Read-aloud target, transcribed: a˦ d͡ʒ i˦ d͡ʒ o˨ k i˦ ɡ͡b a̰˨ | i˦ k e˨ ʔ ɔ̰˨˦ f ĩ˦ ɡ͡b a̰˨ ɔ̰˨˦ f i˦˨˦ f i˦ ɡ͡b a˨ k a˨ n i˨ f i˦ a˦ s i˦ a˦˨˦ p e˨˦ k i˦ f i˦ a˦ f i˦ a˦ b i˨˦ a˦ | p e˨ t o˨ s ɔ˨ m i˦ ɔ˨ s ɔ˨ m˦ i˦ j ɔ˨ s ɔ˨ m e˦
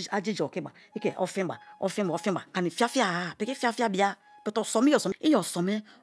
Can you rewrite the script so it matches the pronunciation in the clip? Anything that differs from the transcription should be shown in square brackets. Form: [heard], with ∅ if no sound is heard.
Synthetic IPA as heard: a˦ d͡ʒ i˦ d͡ʒ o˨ k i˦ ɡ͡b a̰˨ | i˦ k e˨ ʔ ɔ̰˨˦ f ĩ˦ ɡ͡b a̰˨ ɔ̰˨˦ f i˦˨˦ f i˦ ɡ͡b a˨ k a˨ n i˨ f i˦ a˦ [f] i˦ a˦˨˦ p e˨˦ k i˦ f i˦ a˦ f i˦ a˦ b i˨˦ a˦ | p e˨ t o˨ s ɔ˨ m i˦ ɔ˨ s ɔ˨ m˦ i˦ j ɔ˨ s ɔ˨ m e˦